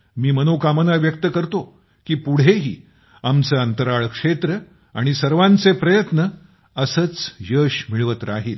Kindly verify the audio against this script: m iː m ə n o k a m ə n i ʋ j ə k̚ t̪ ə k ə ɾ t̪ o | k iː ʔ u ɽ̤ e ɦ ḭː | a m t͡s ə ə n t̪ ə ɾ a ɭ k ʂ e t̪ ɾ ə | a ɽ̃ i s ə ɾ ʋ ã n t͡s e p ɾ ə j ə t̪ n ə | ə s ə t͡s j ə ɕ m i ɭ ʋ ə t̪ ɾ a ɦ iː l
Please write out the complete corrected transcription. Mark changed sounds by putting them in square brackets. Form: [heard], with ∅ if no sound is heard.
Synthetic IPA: m iː m ə n o k a m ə n [a] ʋ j ə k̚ t̪ ə k ə ɾ t̪ o | k iː [p] u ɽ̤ e ɦ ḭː | a m t͡s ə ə n t̪ ə ɾ a ɭ k ʂ e t̪ ɾ ə | a ɽ̃ i s ə ɾ ʋ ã n t͡s e p ɾ ə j ə t̪ n ə | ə s ə t͡s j ə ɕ m i ɭ ʋ ə t̪ ɾ a ɦ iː l

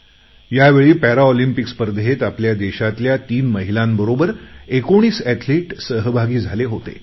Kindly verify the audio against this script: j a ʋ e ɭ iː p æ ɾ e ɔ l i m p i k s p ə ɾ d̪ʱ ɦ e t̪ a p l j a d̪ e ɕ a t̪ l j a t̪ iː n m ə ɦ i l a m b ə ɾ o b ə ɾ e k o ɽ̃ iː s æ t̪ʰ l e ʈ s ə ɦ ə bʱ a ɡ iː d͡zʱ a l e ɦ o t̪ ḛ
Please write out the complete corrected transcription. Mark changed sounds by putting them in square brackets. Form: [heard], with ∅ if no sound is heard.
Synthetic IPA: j a ʋ e ɭ iː p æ ɾ [a] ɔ l i m p i k s p ə ɾ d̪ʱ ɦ e t̪ a p l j a d̪ e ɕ a t̪ l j a t̪ iː n m ə ɦ i l a m b ə ɾ o b ə ɾ e k o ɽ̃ iː s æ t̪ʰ l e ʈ s ə ɦ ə bʱ a ɡ iː d͡zʱ a l e ɦ o t̪ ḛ

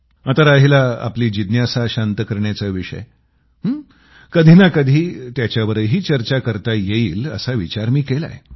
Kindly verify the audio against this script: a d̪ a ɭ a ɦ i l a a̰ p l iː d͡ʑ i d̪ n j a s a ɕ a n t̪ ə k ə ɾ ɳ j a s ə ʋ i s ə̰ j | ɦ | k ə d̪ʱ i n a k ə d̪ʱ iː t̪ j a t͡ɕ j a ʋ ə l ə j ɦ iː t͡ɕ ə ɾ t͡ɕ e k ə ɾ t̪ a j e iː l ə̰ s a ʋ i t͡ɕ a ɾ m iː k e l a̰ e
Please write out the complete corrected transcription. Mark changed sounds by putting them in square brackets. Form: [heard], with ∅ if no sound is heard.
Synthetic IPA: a [t̪] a [ɾ] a ɦ i l a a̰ p l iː d͡ʑ i d̪ n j a s a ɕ a n t̪ ə k ə ɾ ɳ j a [t͡s] ə ʋ i [ʂ] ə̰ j | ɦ | k ə d̪ʱ i n a k ə d̪ʱ iː t̪ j a t͡ɕ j a ʋ ə [ɾ] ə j ɦ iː t͡ɕ ə ɾ t͡ɕ [a] k ə ɾ t̪ a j e iː l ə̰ s a ʋ i t͡ɕ a ɾ m iː k e l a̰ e

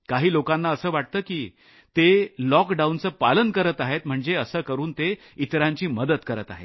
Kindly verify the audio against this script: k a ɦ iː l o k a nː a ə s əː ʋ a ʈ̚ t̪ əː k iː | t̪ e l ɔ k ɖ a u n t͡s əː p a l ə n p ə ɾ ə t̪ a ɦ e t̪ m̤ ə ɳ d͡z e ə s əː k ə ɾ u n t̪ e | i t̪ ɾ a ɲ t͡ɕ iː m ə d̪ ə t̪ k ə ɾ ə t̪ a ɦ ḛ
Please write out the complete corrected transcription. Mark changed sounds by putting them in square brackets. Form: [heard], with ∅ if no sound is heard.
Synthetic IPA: k a ɦ iː l o k a nː a ə s əː ʋ a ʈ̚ t̪ əː k iː | t̪ e l ɔ k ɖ a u n t͡s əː p a l ə n [k] ə ɾ ə t̪ a ɦ e t̪ m̤ ə ɳ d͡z e ə s əː k ə ɾ [uː] n t̪ e | i t̪ ɾ a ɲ t͡ɕ iː m ə d̪ ə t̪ k ə ɾ ə t̪ a ɦ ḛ

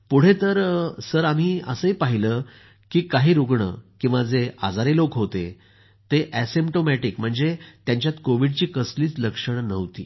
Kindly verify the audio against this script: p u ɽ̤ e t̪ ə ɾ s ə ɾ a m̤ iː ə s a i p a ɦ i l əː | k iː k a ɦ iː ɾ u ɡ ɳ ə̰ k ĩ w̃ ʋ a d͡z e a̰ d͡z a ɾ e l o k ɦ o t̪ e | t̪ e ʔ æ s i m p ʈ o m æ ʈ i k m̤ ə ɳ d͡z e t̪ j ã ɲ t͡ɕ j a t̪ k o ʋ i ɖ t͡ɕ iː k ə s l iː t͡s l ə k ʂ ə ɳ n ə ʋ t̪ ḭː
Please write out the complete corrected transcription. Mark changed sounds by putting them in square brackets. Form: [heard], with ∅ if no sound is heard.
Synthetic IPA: p u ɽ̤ e t̪ ə ɾ s ə ɾ a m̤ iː ə s [ə] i p a ɦ i l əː | k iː k a ɦ iː ɾ u ɡ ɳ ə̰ k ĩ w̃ ʋ a d͡z e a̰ d͡z a ɾ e l o k ɦ o t̪ e | t̪ e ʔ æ s i m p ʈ o m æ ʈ i k m̤ ə ɳ d͡z e t̪ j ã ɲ t͡ɕ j a t̪ k o ʋ i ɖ t͡ɕ iː k ə s l iː t͡s l ə k ʂ ə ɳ n ə ʋ t̪ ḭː

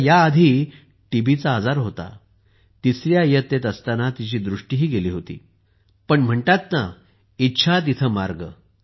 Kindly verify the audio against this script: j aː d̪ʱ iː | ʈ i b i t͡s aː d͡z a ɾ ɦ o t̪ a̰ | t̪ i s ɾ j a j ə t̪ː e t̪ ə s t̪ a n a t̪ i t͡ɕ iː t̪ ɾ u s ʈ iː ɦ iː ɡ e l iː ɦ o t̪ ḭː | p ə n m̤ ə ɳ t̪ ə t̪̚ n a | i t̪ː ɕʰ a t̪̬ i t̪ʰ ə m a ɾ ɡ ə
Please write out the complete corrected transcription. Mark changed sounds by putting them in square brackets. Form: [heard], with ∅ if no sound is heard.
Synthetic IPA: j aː d̪ʱ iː | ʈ i b i t͡s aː d͡z a ɾ ɦ o t̪ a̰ | t̪ i s ɾ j a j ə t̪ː e t̪ ə s t̪ a n a t̪ i t͡ɕ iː [d̪] ɾ u [ʂ] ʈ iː ɦ iː ɡ e l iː ɦ o t̪ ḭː | p ə [ɳ] m̤ ə ɳ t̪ [a] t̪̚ n a | i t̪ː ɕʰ a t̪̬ i t̪ʰ ə m a ɾ ɡ ə

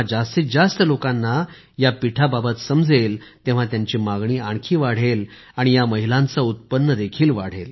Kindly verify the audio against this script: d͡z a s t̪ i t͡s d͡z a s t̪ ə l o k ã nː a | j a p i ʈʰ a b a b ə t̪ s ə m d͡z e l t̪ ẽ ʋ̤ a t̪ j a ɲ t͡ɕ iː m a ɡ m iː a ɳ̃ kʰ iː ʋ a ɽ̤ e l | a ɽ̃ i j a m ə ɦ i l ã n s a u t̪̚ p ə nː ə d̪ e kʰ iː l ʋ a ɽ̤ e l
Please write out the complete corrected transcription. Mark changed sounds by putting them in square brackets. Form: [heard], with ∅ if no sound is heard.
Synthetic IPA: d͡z a s t̪ i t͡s d͡z a s t̪ ə l o k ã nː a | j a p i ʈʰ a b a b ə t̪ s ə m d͡z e l t̪ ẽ ʋ̤ a t̪ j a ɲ t͡ɕ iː m a ɡ [ɳ] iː a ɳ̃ kʰ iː ʋ a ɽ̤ e l | a ɽ̃ i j a m ə ɦ i l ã n [t͡s] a u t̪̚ p ə nː ə d̪ e kʰ iː l ʋ a ɽ̤ e l

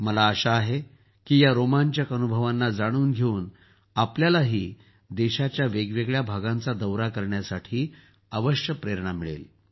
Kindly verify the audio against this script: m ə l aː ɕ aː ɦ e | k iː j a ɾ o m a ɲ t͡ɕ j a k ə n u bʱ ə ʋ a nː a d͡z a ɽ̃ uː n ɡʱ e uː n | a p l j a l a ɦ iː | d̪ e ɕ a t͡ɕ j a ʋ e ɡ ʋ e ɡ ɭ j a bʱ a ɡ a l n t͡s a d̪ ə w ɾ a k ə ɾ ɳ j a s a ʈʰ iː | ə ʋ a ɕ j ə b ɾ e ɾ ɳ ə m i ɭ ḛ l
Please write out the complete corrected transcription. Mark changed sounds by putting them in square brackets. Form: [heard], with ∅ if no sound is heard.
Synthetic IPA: m ə l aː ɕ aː ɦ e | k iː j a ɾ o m a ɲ t͡ɕ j a k ə n u bʱ ə ʋ a nː a d͡z a ɽ̃ uː n ɡʱ e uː n | a p l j a l a ɦ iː | d̪ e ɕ a t͡ɕ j a ʋ e ɡ ʋ e ɡ ɭ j a bʱ a ɡ a [∅] n t͡s a d̪ ə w ɾ a k ə ɾ ɳ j a s a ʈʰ iː | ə ʋ [ə] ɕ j ə [p] ɾ e ɾ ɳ [a] m i ɭ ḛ l

